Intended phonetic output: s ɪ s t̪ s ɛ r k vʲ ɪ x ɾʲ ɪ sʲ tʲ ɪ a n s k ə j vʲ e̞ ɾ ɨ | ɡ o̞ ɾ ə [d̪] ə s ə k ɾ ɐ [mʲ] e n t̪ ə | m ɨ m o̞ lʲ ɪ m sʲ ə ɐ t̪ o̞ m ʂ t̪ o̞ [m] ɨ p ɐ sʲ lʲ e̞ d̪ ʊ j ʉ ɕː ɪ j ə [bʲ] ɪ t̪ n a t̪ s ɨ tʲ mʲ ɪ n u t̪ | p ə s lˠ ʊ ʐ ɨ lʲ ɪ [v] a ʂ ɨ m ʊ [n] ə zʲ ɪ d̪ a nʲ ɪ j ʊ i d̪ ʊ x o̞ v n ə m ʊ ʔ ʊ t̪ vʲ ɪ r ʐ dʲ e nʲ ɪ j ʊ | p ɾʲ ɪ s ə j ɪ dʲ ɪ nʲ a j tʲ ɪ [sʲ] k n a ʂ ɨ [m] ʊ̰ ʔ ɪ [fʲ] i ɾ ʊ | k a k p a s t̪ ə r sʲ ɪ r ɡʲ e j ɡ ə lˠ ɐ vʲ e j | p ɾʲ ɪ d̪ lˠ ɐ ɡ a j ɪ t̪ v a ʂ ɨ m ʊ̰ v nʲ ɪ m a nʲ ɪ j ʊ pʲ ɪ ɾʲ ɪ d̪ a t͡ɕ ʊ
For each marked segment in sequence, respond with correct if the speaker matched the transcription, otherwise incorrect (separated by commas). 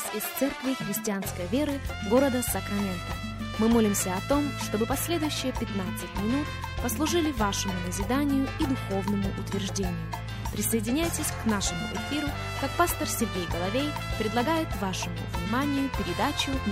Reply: correct, correct, incorrect, incorrect, correct, correct, correct, correct, correct